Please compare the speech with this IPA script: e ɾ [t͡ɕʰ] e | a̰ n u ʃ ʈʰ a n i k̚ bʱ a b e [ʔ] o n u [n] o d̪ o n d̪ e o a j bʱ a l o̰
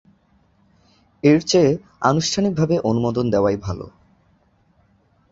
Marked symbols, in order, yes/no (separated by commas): no, yes, no